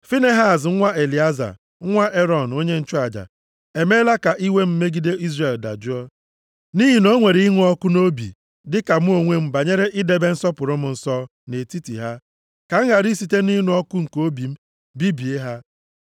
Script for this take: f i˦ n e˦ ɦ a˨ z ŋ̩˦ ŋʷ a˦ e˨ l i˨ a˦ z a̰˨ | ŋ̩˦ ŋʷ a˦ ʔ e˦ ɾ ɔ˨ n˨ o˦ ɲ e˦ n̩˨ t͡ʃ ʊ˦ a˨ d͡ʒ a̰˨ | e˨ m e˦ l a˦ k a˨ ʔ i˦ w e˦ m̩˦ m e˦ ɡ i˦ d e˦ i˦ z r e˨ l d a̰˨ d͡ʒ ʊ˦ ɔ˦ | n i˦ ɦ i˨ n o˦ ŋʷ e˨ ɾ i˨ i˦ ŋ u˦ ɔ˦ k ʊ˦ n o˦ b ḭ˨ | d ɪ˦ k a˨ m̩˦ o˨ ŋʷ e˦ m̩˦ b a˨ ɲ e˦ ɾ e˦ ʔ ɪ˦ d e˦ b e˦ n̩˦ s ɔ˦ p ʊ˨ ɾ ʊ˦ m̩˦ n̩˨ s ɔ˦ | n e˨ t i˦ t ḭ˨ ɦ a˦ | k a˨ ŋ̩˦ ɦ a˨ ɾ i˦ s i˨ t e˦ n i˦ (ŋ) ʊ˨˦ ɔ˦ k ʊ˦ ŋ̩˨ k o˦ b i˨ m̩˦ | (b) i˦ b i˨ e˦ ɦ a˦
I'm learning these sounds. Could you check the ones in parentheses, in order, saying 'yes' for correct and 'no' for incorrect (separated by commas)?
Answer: no, yes